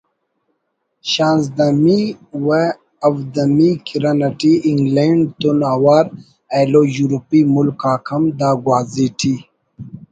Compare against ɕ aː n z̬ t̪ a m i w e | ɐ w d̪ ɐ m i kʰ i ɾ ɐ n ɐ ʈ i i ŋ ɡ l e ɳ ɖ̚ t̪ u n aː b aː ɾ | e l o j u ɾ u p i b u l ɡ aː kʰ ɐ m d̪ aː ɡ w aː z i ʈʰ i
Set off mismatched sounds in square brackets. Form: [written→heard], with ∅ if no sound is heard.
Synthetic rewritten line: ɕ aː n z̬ [t̪→d̪] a m i w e | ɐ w d̪ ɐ m i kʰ i ɾ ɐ n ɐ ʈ i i ŋ ɡ l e ɳ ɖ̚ t̪ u n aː [b→w] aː ɾ | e l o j u ɾ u p i [b→m] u l [ɡ→k] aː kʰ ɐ m d̪ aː ɡ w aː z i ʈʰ i